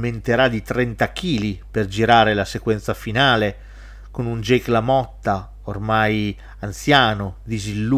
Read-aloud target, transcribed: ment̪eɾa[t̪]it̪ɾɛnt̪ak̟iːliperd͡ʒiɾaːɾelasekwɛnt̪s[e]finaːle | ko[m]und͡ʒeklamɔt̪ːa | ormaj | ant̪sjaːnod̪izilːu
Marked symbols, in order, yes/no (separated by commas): no, no, no